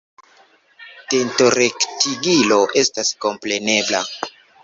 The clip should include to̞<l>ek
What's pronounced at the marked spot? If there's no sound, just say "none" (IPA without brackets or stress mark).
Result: ɾ